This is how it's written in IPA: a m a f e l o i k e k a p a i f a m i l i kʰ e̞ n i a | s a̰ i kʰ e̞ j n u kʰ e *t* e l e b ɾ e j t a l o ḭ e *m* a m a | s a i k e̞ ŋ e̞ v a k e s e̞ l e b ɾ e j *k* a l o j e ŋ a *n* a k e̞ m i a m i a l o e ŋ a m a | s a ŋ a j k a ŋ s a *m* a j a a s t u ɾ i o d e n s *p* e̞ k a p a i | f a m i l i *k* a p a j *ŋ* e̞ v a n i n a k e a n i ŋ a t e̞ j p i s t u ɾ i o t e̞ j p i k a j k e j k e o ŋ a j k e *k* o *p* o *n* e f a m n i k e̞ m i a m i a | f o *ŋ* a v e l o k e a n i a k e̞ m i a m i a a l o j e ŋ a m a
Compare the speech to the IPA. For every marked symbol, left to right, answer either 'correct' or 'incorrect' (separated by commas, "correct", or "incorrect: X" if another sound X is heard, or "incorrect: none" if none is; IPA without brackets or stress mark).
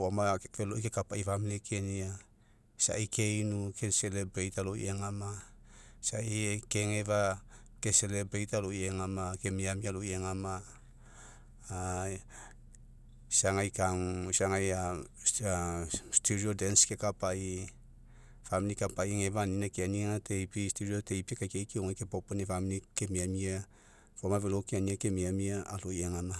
incorrect: s, incorrect: ŋ, incorrect: t, incorrect: m, incorrect: ŋ, incorrect: k, correct, correct, incorrect: p, correct, correct, incorrect: m